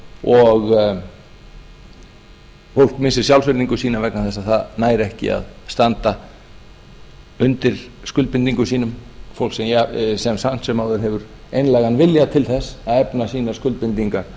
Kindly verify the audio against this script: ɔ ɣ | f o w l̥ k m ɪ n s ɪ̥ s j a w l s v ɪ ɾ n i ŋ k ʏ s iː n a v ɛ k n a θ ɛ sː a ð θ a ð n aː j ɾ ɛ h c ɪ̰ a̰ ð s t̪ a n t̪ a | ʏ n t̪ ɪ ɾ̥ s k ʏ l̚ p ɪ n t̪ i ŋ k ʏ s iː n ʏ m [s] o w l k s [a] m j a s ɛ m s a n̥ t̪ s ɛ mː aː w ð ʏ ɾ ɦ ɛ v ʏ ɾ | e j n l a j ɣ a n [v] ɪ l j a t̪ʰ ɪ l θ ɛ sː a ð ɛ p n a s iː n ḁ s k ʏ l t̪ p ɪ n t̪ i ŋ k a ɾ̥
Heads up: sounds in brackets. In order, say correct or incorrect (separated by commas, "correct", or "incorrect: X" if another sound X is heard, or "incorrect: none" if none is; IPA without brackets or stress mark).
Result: incorrect: f, incorrect: ɛ, correct